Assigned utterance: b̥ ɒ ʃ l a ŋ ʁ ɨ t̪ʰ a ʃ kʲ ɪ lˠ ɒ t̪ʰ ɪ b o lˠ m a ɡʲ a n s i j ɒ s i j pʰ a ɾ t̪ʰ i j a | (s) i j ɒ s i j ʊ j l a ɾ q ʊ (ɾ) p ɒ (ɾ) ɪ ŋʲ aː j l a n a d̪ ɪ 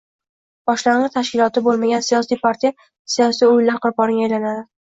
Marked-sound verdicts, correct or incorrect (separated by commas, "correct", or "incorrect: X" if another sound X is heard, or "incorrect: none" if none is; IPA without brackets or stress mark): correct, correct, correct